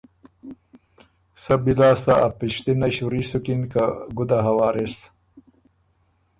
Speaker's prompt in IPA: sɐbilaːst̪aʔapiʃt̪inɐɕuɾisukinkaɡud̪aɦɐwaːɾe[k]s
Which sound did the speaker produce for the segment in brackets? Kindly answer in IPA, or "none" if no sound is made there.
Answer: none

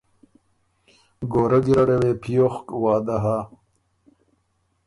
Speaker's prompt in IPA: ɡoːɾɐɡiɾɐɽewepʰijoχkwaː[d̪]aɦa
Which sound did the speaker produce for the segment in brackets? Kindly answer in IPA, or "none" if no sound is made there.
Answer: d̪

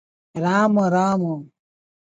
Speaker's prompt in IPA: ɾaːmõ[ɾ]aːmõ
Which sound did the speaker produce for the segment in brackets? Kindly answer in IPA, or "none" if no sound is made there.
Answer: ɾ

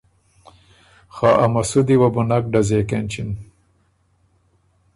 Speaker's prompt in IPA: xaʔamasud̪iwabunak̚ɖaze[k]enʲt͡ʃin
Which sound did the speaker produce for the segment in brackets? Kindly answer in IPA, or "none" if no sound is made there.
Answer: k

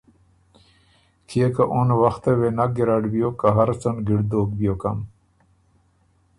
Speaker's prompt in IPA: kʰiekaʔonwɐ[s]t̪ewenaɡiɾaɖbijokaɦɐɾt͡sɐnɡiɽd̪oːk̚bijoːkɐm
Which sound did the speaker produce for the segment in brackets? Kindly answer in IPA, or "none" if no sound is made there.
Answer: x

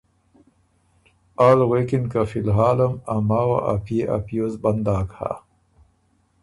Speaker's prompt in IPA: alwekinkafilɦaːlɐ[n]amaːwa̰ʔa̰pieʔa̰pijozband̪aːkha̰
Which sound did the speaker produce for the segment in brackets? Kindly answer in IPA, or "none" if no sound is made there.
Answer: m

